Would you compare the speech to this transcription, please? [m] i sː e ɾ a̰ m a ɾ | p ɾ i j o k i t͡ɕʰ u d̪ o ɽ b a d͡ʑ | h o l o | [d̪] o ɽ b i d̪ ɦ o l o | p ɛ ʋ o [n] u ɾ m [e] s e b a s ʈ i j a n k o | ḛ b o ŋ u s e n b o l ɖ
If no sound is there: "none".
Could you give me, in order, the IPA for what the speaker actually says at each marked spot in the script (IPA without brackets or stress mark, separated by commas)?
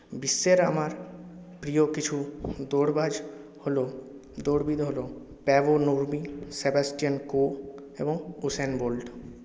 b, d̪, n, i